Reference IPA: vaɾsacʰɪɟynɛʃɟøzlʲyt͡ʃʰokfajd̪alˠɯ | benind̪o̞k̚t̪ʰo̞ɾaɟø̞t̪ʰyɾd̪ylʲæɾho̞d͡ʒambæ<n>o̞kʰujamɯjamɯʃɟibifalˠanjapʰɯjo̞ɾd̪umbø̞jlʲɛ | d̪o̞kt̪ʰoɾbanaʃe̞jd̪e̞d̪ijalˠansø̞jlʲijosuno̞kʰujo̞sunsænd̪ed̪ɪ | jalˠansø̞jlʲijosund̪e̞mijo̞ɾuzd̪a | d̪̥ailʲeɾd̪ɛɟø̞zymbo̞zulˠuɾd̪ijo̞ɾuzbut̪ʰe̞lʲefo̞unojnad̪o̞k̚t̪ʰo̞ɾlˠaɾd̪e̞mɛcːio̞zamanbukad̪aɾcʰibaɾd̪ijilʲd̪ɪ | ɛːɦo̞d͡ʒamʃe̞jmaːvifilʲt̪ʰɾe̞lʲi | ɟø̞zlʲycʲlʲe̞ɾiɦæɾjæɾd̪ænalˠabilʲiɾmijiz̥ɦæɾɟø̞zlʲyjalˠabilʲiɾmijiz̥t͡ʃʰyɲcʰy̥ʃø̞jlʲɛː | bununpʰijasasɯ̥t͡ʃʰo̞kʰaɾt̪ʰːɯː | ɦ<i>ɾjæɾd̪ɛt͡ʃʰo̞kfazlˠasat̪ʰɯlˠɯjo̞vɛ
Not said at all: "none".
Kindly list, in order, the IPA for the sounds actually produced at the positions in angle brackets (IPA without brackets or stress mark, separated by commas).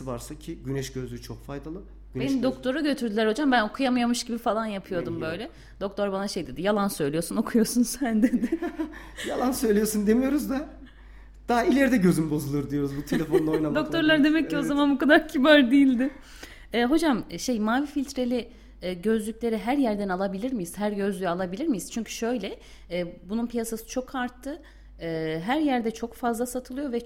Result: n, æ